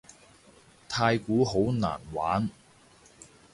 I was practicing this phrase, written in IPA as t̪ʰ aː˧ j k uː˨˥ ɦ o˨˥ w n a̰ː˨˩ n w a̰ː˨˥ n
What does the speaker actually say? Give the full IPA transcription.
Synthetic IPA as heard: t̪ʰ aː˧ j k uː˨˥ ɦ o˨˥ w n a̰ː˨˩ n w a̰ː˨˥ n